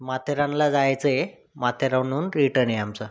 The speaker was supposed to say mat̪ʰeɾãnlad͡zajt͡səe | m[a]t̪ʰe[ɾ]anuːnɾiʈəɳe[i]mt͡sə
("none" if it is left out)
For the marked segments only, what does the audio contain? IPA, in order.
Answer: a, ɾ, a

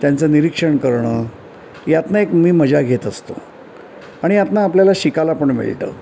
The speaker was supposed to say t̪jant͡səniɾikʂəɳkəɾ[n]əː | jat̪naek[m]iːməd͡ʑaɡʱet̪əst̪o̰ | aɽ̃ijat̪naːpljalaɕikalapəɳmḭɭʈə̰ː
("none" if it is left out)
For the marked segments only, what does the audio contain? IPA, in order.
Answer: ɳ, m

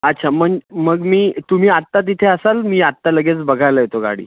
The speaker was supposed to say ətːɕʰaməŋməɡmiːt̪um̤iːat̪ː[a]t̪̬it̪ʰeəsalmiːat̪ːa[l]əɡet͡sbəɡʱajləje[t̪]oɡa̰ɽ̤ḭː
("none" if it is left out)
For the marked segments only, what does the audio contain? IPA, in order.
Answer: a, l, t̪

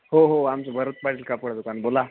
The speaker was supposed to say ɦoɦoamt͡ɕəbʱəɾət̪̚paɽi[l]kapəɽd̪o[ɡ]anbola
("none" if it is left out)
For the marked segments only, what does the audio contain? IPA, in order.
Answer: l, k

